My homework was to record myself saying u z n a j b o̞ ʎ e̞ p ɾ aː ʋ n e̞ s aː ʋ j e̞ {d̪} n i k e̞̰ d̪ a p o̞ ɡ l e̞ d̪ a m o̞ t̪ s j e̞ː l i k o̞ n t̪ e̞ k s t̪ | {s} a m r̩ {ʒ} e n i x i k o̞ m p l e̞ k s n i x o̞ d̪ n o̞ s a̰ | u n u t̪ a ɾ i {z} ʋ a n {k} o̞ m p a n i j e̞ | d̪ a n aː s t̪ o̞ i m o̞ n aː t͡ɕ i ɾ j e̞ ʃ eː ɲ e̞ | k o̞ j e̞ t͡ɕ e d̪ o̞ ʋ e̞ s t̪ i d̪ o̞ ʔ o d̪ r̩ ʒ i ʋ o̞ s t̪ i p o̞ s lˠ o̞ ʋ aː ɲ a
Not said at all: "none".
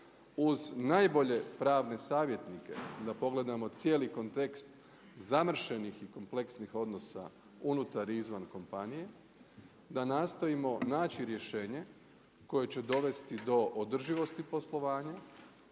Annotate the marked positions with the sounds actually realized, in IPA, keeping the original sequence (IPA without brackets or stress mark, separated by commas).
t̪, z, ʃ, z, k